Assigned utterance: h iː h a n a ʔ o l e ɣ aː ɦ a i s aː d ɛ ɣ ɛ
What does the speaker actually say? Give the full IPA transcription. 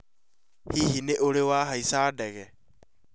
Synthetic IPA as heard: h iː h i n e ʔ o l e w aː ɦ a i s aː d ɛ ɣ ɛ